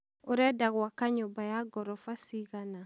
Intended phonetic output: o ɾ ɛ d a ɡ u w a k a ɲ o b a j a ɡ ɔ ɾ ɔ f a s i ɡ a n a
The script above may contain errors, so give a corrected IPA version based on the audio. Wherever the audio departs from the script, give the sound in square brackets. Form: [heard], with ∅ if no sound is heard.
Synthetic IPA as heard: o ɾ ɛ d a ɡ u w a k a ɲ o b a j a ɡ ɔ ɾ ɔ f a s i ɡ a n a